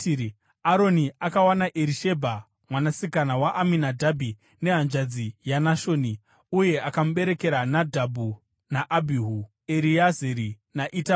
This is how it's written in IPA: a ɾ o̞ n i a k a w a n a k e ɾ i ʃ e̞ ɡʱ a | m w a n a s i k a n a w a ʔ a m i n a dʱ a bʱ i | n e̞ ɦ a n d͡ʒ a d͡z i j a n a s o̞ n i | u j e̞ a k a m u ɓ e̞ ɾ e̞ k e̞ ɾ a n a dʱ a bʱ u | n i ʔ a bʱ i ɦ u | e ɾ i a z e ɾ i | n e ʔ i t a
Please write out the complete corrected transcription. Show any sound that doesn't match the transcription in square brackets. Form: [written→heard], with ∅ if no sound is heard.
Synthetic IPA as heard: a ɾ o̞ n i a k a w a n a [k→ʔ] e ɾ i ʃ e̞ [ɡʱ→bʱ] a | m w a n a s i k a n a w a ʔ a m i n a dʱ a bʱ i | n e̞ ɦ a n d͡ʒ a d͡z i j a n a [s→ʃ] o̞ n i | u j e̞ a k a m u ɓ e̞ ɾ e̞ k e̞ ɾ a n a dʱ a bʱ u | n [i→a] ʔ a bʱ i ɦ u | e ɾ i a z e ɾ i | n [e→a] ʔ i t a

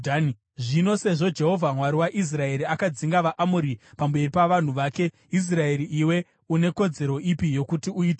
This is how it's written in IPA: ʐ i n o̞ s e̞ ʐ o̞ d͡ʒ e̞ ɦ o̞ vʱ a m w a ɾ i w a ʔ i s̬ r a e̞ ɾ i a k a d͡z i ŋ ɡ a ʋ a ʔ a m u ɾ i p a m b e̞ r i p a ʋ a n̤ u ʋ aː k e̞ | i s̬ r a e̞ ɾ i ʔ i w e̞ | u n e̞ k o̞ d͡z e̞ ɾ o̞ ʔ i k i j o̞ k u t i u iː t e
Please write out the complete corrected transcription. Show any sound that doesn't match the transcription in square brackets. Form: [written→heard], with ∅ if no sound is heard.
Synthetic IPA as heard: ʐ i n o̞ s e̞ ʐ o̞ d͡ʒ e̞ ɦ o̞ vʱ a m w a ɾ i w a ʔ i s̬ r a e̞ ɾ i a k a d͡z i ŋ ɡ a ʋ a ʔ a m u ɾ i p a m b e̞ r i p a ʋ a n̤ u ʋ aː k e̞ | i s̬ r a e̞ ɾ i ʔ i w e̞ | u n e̞ k o̞ d͡z e̞ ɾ o̞ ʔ i [k→p] i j o̞ k u t i u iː t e

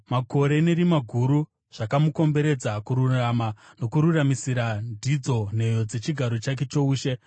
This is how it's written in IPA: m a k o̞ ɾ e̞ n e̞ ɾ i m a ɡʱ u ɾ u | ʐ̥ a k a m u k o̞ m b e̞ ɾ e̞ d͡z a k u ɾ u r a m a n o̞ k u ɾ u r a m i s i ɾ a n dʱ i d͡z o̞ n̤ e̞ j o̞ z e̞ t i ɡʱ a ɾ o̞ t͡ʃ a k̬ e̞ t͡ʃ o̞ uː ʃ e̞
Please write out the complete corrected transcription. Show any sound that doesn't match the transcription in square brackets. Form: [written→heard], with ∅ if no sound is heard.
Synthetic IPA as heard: m a k o̞ ɾ e̞ n e̞ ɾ i m a ɡʱ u ɾ u | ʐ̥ a k a m u k o̞ m b e̞ ɾ e̞ d͡z a k u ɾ u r a m a n o̞ k u ɾ u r a m i s i ɾ a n dʱ i d͡z o̞ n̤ e̞ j o̞ [z→d͡z] e̞ [t→t͡ʃ] i ɡʱ a ɾ o̞ t͡ʃ a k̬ e̞ t͡ʃ o̞ uː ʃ e̞

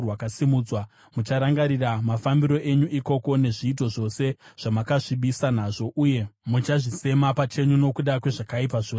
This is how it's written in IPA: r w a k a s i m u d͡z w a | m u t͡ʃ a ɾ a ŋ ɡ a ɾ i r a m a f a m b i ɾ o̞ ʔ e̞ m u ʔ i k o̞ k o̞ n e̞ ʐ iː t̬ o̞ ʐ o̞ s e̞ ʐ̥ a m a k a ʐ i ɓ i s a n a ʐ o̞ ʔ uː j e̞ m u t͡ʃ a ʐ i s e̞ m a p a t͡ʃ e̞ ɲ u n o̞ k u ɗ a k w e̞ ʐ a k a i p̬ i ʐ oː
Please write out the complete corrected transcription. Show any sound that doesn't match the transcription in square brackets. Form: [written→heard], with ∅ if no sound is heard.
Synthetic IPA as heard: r w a k a s i m u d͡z w a | m u t͡ʃ a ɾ a ŋ ɡ a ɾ i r a m a f a m b i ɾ o̞ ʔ e̞ [m→ɲ] u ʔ i k o̞ k o̞ n e̞ ʐ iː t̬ o̞ ʐ o̞ s e̞ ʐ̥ a m a k a ʐ i ɓ i s a n a ʐ o̞ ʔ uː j e̞ m u t͡ʃ a ʐ i s e̞ m a p a t͡ʃ e̞ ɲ u n o̞ k u ɗ a k w e̞ ʐ a k a i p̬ [i→a] ʐ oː

